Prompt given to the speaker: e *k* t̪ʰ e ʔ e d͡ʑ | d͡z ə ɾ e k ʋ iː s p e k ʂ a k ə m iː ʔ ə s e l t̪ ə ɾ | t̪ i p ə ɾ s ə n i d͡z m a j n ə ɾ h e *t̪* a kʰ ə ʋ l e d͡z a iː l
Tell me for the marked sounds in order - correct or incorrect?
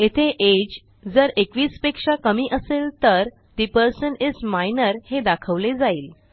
incorrect: none, incorrect: d̪

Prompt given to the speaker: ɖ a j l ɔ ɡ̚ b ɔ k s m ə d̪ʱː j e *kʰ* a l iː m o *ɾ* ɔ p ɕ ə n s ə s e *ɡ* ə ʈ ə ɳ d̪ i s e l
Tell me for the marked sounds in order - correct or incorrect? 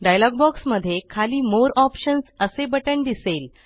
correct, correct, incorrect: b

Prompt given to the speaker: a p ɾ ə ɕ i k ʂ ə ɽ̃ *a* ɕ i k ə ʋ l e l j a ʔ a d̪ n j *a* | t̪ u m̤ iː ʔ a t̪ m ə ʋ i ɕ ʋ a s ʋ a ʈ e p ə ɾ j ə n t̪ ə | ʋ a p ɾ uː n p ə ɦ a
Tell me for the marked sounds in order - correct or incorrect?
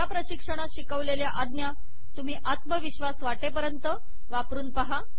correct, correct

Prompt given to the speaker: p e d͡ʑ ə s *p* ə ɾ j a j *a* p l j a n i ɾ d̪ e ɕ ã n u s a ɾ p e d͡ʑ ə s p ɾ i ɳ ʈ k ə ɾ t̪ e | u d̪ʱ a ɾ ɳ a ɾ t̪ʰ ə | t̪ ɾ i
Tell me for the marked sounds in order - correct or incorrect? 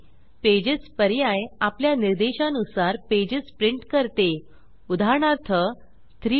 correct, correct

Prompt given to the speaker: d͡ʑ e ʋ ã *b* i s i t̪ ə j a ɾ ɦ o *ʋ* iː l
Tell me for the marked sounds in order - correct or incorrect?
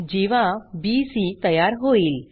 correct, incorrect: none

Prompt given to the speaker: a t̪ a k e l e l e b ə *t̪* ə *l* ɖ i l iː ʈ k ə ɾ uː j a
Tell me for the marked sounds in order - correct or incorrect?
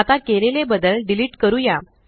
incorrect: d̪, correct

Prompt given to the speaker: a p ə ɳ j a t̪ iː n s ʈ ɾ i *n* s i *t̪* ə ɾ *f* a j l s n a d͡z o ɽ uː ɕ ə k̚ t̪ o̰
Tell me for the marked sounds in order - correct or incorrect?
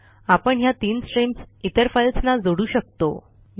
incorrect: m, correct, correct

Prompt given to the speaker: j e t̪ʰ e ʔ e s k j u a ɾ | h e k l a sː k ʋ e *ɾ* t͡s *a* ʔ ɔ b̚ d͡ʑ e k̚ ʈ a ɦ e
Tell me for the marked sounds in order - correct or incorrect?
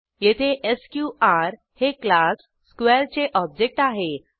correct, incorrect: e

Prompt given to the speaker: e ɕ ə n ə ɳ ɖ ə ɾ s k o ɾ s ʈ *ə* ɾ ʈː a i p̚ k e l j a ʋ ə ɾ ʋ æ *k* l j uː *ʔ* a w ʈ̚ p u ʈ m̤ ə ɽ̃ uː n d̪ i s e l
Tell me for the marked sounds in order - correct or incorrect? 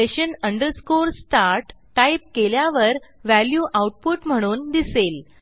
incorrect: a, incorrect: none, correct

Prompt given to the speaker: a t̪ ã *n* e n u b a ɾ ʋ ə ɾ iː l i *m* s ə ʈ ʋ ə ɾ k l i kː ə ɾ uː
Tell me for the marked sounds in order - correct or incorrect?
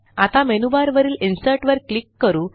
incorrect: m, incorrect: n

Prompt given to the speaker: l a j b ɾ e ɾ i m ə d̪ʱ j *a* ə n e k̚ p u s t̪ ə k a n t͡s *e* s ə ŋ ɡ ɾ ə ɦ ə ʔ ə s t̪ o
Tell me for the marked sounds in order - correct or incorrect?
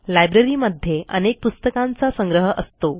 incorrect: e, incorrect: a

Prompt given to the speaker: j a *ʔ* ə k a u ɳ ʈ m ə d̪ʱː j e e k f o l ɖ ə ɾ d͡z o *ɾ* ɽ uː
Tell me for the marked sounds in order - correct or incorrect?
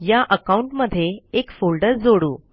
correct, incorrect: none

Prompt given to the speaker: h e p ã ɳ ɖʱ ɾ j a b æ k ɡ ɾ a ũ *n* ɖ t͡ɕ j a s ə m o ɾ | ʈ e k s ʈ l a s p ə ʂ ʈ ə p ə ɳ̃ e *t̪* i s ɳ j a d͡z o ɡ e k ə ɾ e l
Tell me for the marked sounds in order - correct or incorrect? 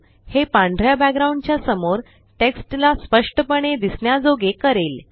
incorrect: ɳ, incorrect: d̪

